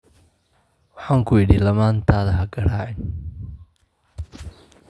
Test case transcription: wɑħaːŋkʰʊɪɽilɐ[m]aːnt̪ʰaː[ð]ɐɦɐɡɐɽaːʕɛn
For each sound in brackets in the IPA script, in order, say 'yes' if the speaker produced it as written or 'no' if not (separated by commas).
yes, yes